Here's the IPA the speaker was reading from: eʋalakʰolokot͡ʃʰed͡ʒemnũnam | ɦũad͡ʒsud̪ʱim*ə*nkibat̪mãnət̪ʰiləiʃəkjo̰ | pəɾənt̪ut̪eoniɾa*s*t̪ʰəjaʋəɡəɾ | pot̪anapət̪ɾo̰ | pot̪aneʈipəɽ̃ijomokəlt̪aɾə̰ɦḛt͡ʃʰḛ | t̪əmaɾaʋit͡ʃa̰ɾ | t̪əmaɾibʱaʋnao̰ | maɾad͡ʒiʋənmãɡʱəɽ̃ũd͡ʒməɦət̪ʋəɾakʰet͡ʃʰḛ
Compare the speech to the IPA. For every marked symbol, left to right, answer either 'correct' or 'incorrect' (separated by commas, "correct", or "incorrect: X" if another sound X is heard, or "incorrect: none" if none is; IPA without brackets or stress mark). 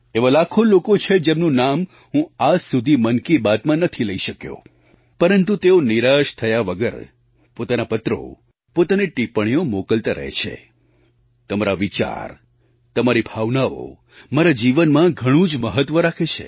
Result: correct, incorrect: ʃ